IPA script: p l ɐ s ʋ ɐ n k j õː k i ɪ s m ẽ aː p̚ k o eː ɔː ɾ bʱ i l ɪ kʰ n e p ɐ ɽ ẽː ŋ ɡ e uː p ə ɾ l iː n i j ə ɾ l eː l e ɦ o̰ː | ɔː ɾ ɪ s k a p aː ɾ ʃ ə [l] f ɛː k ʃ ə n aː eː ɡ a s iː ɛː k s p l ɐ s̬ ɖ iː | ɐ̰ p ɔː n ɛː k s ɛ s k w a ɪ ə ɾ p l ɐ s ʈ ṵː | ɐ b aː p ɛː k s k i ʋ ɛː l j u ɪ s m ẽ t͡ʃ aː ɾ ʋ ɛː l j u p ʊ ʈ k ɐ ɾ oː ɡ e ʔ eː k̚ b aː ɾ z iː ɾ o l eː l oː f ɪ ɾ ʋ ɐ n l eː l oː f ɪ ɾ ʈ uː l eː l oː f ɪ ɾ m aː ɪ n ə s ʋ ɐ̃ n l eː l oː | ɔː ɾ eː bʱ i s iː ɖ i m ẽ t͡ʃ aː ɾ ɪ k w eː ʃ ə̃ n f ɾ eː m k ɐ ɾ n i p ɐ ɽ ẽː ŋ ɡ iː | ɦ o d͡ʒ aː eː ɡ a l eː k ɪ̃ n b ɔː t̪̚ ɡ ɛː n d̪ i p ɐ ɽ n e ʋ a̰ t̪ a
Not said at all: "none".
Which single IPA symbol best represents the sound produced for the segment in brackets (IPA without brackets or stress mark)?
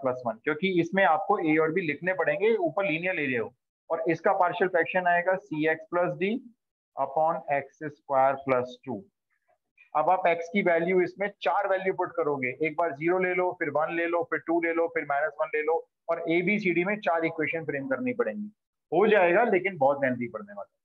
l